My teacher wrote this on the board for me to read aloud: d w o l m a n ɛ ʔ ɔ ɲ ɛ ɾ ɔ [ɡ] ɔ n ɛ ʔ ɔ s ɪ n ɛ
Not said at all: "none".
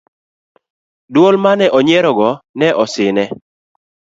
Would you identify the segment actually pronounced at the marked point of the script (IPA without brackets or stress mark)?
ɡ